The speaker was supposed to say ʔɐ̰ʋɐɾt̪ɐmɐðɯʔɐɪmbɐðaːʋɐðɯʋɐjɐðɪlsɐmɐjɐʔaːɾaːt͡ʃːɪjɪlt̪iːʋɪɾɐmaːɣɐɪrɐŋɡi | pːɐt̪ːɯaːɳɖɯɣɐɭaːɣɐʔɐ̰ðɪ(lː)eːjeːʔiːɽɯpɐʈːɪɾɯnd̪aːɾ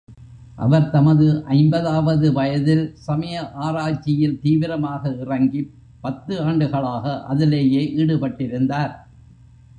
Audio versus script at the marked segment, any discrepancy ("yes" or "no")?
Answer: yes